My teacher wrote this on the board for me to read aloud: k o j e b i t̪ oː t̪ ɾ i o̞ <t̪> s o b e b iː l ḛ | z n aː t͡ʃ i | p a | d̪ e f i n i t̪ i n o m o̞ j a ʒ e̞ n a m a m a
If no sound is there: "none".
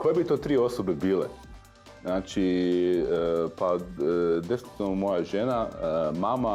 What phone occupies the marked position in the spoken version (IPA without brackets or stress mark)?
none